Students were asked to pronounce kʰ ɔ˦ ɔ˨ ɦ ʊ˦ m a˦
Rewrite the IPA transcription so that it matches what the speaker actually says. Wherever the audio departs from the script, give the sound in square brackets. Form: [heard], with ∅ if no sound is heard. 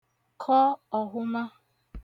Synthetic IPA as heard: kʰ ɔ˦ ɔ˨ ɦ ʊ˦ m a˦